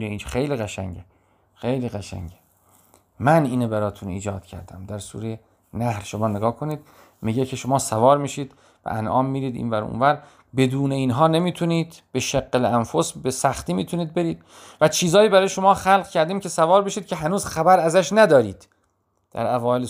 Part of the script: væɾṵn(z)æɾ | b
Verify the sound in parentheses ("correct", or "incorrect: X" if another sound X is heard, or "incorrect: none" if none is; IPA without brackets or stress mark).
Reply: incorrect: v